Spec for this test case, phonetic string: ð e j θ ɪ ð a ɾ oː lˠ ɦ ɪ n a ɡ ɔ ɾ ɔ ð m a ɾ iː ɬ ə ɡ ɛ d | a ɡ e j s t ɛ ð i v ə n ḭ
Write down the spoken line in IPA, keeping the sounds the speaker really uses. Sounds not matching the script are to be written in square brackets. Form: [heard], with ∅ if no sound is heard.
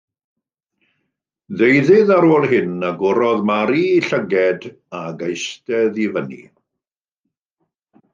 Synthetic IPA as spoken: ð e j [ð] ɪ ð a ɾ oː lˠ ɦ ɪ n a ɡ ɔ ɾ ɔ ð m a ɾ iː ɬ ə ɡ ɛ d | a ɡ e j s t ɛ ð i v ə n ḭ